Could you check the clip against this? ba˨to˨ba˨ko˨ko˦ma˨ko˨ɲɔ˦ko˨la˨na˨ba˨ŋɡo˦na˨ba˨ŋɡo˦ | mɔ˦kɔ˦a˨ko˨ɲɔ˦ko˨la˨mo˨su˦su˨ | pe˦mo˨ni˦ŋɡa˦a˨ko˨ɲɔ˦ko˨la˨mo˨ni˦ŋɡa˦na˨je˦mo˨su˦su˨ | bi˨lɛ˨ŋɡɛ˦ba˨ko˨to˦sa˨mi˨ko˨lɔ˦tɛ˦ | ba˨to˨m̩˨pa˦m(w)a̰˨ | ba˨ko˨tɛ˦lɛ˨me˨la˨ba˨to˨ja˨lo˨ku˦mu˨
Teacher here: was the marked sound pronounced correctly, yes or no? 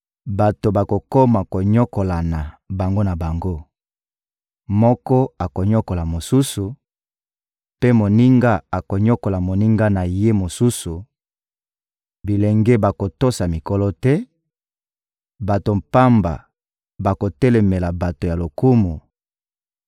no